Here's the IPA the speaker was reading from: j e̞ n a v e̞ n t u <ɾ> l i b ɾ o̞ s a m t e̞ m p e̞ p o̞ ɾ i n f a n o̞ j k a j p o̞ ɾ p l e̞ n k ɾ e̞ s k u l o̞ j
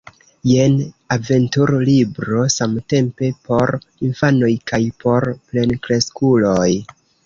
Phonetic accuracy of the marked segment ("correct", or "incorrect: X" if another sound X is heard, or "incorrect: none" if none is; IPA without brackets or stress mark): correct